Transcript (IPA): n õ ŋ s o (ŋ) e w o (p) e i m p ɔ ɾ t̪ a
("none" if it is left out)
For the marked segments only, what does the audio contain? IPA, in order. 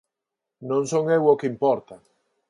ŋ, k

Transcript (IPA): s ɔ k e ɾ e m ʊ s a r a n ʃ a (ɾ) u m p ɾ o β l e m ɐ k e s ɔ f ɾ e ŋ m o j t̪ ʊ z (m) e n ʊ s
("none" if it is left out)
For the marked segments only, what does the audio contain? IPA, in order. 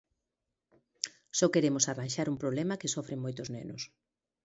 ɾ, n

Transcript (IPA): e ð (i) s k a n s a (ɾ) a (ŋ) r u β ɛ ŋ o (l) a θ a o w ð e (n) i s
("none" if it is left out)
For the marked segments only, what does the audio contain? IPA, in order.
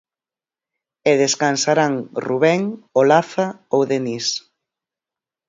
e, ɾ, ŋ, l, n

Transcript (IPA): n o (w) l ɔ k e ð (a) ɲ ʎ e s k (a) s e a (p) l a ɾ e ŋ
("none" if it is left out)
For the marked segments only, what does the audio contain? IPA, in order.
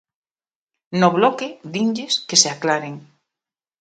β, i, e, k

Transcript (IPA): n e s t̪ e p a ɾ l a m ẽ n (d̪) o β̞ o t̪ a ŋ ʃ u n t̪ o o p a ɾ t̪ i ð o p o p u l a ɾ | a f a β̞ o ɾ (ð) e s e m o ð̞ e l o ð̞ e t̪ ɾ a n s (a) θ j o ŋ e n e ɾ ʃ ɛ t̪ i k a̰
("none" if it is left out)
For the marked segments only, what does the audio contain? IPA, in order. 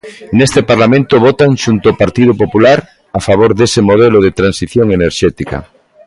t̪, ð, i

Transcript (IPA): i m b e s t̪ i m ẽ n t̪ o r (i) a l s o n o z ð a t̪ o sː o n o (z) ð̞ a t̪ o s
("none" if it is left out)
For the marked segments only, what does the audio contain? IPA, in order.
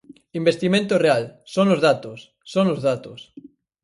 e, z

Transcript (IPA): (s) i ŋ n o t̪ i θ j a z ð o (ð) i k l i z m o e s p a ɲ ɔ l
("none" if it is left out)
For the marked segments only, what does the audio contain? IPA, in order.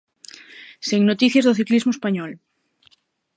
s, θ

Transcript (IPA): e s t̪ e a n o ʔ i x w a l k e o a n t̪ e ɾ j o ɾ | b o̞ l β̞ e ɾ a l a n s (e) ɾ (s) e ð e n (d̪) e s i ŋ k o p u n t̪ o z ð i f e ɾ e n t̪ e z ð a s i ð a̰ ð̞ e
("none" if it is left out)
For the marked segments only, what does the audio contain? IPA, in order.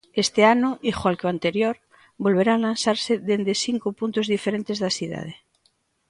a, s, d̪

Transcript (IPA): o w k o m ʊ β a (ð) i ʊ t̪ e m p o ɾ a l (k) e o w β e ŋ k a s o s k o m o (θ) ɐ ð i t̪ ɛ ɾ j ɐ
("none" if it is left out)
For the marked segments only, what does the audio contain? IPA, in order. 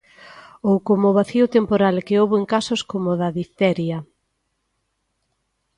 θ, k, ð

